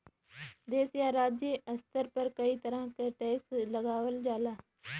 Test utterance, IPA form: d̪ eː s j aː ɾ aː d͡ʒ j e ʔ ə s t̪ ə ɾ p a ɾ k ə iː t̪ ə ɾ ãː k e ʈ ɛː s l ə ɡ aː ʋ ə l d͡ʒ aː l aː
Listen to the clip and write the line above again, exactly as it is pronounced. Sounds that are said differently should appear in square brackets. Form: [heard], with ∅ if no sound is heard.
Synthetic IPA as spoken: d̪ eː s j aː ɾ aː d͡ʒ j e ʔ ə s t̪ ə ɾ p [ə] ɾ k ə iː t̪ ə ɾ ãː k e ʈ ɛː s l ə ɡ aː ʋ ə l d͡ʒ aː l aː